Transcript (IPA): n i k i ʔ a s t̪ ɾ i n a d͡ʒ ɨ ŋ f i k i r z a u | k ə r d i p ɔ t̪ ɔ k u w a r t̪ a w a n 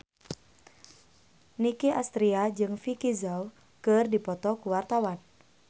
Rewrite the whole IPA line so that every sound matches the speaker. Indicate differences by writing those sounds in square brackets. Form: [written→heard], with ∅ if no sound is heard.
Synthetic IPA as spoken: n i k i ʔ a s t̪ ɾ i [n→∅] a d͡ʒ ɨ ŋ f i k i [r→∅] z a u | k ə r d i p ɔ t̪ ɔ k u w a r t̪ a w a n

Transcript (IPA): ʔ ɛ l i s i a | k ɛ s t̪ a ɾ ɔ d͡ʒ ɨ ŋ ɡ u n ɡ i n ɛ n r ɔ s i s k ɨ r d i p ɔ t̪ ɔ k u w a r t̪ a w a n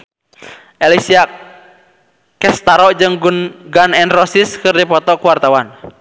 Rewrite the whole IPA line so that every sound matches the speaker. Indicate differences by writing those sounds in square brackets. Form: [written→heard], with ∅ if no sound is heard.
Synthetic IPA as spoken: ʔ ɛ l i s i a | k ɛ s t̪ a ɾ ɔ d͡ʒ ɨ ŋ ɡ u n ɡ [i→a] n ɛ n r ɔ s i s k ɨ r d i p ɔ t̪ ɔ k u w a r t̪ a w a n

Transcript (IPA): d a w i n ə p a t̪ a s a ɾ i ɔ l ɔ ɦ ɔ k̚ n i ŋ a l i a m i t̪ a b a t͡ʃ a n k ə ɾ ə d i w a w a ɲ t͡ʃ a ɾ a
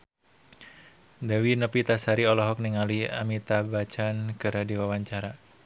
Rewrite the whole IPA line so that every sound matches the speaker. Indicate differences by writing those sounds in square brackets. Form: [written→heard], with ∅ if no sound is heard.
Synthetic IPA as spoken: d a w i n ə p [a→i] t̪ a s a ɾ i ɔ l ɔ ɦ ɔ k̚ n i ŋ a l i a m i t̪ a b a t͡ʃ a n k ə ɾ [ə→a] d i w a w a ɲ t͡ʃ a ɾ a

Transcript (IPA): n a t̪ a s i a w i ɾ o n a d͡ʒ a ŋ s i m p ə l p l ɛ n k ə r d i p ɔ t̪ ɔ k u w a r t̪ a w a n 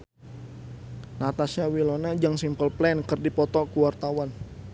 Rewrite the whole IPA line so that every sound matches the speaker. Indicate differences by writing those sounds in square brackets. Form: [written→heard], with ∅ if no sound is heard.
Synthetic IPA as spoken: n a t̪ a s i a w i [ɾ→l] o n a d͡ʒ a ŋ s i m p ə l p l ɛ n k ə r d i p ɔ t̪ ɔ k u w a r t̪ a w a n

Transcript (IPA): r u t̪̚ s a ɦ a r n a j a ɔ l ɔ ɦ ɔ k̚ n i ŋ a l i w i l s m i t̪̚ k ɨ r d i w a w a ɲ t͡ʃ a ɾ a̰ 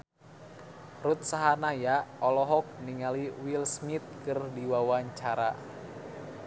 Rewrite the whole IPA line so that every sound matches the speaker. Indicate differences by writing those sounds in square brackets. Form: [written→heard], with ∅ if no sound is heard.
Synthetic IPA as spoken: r u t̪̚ s a ɦ a [r→∅] n a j a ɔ l ɔ ɦ ɔ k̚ n i ŋ a l i w i l s m i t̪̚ k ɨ r d i w a w a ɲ t͡ʃ a ɾ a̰

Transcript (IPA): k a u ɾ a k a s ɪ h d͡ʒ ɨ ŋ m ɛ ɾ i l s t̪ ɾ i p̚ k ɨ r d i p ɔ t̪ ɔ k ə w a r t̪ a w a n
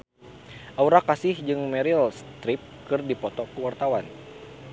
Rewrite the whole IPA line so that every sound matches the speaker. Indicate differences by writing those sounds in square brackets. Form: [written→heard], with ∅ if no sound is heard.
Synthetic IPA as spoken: [k→ʔ] a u ɾ a k a s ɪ h d͡ʒ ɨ ŋ m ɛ ɾ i l s t̪ ɾ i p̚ k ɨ r d i p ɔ t̪ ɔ k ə w a r t̪ a w a n

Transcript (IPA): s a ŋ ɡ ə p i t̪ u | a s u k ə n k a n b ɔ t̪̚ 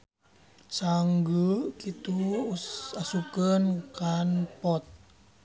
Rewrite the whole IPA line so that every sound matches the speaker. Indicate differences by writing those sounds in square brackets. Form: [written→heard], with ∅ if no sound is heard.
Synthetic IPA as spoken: s a ŋ ɡ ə [p→k] i t̪ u | a s u k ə n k a n [b→p] ɔ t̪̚

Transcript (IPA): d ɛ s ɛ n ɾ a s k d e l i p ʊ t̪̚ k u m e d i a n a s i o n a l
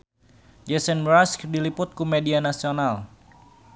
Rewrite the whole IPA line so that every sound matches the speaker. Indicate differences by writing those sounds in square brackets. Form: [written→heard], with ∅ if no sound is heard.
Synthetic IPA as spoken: [d→d͡ʒ] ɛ s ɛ n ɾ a s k d [e→i] l i p ʊ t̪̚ k u m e d i a n a s i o n a l

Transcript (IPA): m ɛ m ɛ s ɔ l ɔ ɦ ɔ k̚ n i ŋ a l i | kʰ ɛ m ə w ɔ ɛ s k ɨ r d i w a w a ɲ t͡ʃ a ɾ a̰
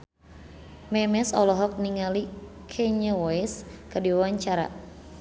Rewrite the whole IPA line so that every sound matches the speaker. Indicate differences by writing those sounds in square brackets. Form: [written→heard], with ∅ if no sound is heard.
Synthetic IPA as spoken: m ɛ m ɛ s ɔ l ɔ ɦ ɔ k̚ n i ŋ a l i | kʰ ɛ [m→ɲ] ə w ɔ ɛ s k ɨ r d i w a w a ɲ t͡ʃ a ɾ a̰

